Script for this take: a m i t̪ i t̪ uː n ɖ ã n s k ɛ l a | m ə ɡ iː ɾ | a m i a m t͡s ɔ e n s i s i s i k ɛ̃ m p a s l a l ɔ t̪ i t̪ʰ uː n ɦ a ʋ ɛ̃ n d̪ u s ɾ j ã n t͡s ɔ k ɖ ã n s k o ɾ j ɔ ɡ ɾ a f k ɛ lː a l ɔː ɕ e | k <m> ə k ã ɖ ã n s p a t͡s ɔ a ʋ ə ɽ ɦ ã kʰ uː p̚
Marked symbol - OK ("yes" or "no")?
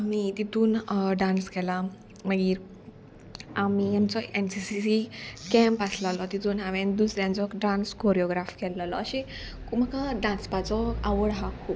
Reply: yes